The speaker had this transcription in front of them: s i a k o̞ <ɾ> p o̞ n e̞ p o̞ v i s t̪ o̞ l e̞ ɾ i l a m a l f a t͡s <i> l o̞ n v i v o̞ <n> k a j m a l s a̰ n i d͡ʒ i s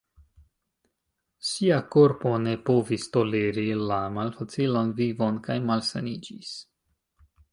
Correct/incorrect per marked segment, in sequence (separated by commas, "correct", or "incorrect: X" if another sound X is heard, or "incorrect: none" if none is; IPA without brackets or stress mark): correct, correct, correct